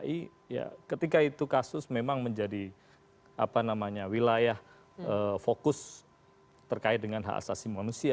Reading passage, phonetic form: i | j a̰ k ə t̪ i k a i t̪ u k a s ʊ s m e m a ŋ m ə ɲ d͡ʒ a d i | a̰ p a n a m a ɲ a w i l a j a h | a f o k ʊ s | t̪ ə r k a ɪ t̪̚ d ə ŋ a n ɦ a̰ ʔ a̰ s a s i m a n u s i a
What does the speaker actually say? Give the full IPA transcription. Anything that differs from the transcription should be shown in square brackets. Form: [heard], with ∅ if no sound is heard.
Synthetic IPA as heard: i | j a̰ k ə t̪ i k a i t̪ u k a s ʊ s m e m a ŋ m ə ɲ d͡ʒ a d i | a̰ p a n a m a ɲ a w i l a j a h | [ə] f o k ʊ s | t̪ ə r k a ɪ t̪̚ d ə ŋ a n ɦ a̰ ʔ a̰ s a s i m a n u s i a